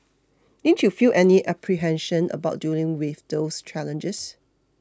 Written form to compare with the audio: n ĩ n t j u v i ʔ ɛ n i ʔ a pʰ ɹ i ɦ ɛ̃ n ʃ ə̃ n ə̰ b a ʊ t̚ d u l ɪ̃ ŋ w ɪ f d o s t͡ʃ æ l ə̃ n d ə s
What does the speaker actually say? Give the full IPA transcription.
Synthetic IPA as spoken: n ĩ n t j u f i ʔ ɛ n i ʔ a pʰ ɹ i ɦ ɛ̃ n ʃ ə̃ n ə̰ b a ʊ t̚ d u l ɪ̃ ŋ w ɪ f d o s t͡ʃ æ l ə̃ n d͡ʒ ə s